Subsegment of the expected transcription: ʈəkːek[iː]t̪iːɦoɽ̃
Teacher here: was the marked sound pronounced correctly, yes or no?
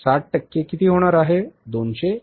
no